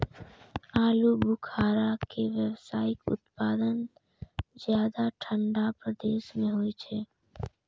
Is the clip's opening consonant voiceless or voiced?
voiced